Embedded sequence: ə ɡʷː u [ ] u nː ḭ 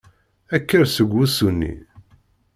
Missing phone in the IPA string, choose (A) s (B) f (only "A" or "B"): A